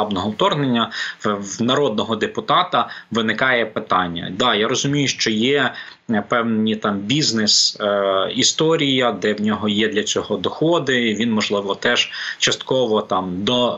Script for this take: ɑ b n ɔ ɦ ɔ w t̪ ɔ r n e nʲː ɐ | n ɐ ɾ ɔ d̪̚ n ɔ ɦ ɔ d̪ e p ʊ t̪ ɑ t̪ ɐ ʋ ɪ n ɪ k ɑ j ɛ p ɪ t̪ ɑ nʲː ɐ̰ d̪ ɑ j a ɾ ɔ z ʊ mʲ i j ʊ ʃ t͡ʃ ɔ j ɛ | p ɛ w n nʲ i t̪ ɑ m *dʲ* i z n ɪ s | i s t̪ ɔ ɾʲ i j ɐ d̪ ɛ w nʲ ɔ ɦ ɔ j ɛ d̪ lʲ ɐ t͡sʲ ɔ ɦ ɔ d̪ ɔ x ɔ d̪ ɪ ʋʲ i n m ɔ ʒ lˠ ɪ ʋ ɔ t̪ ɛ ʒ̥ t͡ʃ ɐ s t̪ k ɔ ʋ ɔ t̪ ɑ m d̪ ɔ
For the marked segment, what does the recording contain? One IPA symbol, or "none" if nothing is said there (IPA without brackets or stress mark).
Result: bʲ